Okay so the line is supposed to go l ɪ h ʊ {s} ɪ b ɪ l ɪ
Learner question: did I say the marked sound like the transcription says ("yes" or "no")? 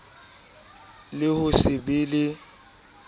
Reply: yes